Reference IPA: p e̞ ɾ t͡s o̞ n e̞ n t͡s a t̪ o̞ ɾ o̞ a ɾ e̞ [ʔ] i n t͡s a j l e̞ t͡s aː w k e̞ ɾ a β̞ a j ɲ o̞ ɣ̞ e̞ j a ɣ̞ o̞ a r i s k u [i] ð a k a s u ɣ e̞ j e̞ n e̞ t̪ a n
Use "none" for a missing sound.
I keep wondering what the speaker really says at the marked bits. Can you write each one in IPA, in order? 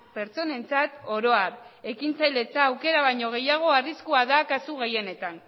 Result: k, a

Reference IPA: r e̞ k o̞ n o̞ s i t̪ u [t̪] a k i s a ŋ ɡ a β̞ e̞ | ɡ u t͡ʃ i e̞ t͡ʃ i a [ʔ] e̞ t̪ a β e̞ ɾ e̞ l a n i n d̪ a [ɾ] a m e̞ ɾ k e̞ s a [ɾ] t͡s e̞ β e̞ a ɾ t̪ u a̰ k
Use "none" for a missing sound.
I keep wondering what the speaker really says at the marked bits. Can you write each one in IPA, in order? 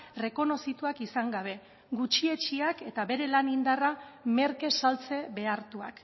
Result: none, k, r, l

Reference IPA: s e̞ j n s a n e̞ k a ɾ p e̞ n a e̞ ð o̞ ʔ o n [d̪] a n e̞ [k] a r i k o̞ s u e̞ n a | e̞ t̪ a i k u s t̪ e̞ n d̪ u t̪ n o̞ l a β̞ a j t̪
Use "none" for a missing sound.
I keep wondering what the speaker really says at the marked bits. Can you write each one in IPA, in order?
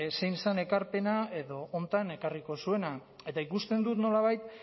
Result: t̪, k

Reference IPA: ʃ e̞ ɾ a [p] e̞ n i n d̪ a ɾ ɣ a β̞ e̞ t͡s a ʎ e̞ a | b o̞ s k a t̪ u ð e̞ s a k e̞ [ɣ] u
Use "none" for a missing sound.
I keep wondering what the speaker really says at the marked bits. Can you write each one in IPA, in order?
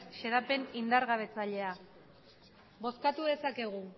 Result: p, ɣ

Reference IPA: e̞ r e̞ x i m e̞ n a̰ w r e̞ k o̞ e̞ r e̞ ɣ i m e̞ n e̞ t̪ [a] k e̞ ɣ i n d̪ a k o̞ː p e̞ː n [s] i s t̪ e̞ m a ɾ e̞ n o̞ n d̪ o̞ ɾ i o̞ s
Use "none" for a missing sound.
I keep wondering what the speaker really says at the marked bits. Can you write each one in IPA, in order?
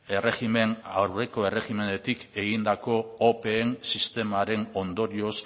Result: i, s

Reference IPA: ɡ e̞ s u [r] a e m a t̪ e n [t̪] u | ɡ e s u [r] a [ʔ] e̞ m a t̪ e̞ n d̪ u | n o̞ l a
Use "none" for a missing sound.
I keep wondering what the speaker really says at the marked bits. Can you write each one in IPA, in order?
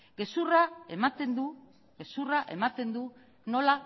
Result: r, d̪, r, ʔ

